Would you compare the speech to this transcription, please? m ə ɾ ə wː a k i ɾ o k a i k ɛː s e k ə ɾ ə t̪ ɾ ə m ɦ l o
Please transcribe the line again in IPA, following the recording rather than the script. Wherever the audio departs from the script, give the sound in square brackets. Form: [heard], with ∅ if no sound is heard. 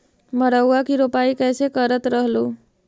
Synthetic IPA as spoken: m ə ɾ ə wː a k i ɾ o [p] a i k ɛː s e k ə ɾ ə t̪ ɾ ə [∅] ɦ l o